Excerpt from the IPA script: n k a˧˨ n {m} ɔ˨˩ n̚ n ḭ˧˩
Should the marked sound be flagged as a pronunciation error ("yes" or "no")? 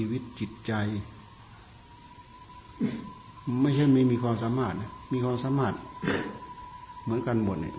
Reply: yes